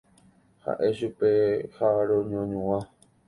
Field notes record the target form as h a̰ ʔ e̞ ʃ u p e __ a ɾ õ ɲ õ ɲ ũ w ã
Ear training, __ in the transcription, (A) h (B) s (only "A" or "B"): A